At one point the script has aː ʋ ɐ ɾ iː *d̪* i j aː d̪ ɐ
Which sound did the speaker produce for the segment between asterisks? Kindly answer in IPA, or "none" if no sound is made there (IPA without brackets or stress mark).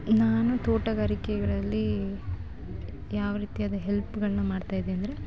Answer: t̪